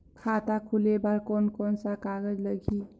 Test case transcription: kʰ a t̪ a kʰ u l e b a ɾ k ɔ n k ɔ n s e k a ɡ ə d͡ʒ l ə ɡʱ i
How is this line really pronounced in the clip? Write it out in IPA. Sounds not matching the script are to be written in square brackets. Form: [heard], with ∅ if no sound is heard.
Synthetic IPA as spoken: kʰ a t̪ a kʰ u l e b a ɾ k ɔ n k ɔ n s [a] k a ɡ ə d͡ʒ l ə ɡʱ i